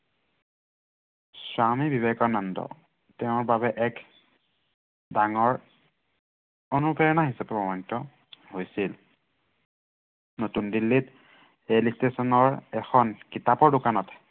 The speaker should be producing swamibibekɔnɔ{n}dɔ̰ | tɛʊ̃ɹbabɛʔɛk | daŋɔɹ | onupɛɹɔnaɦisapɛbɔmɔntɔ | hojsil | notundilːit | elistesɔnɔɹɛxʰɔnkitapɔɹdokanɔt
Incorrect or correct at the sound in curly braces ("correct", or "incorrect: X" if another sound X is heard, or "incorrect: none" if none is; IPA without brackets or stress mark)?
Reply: correct